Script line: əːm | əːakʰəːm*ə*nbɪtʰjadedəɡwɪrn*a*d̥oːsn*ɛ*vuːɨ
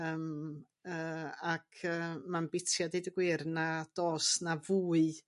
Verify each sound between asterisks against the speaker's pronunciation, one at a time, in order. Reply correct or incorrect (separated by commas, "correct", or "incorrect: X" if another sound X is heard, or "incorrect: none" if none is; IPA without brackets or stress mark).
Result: incorrect: a, correct, incorrect: a